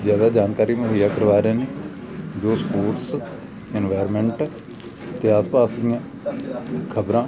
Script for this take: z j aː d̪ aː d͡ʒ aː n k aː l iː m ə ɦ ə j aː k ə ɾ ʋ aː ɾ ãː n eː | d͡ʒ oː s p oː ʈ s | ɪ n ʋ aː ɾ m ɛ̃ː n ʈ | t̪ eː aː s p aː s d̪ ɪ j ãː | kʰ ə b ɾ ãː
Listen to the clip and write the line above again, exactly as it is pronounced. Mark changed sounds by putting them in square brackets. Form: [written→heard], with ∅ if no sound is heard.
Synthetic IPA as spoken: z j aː d̪ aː d͡ʒ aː n k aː [l→ɾ] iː m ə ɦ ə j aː k ə ɾ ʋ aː ɾ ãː n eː | d͡ʒ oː s p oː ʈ s | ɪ n ʋ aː ɾ m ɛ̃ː [n→ɳ] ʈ | t̪ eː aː s p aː s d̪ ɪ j ãː | kʰ ə b ɾ ãː